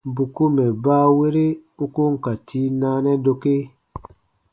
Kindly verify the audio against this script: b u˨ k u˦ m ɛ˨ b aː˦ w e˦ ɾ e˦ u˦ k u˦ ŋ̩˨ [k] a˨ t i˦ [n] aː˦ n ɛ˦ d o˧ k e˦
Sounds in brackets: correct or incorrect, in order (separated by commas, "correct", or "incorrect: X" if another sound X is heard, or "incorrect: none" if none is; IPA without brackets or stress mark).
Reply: correct, correct